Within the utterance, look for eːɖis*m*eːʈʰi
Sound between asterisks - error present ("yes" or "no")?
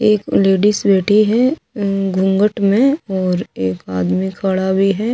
yes